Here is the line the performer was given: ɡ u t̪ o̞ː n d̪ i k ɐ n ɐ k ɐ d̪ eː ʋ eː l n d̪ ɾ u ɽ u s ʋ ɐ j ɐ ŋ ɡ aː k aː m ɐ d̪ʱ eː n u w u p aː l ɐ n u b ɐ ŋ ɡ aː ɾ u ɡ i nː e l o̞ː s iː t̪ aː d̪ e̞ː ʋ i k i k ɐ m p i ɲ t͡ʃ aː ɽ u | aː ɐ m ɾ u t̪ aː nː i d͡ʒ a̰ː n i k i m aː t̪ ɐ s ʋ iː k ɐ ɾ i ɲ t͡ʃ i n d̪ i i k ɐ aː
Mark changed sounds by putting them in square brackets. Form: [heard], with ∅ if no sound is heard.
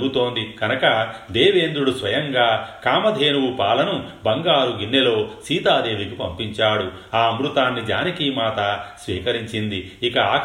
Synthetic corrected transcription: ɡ u t̪ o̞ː n d̪ i k ɐ n ɐ k ɐ d̪ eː ʋ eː [∅] n d̪ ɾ u ɽ u s ʋ ɐ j ɐ ŋ ɡ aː k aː m ɐ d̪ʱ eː n u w u p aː l ɐ n u b ɐ ŋ ɡ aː ɾ u ɡ i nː e l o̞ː s iː t̪ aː d̪ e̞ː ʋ i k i [p] ɐ m p i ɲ t͡ʃ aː ɽ u | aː ɐ m ɾ u t̪ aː nː i d͡ʒ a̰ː n i k i m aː t̪ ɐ s ʋ iː k ɐ ɾ i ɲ t͡ʃ i n d̪ i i k ɐ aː